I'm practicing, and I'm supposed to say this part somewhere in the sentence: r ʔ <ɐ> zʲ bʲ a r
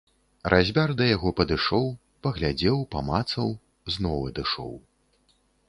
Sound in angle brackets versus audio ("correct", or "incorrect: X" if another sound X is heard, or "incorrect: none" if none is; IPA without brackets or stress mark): incorrect: a